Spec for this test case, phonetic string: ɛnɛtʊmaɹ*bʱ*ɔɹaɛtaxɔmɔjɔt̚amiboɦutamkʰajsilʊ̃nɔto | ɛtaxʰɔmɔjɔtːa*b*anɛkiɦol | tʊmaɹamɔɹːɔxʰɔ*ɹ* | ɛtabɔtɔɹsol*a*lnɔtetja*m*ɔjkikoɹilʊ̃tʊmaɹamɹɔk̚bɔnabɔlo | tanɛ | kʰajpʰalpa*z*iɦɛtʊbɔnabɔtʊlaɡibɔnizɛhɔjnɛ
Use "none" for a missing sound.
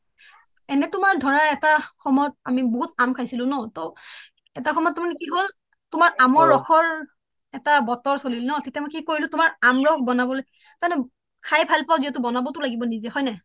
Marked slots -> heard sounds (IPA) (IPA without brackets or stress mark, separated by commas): dʱ, m, ɹ, i, m, z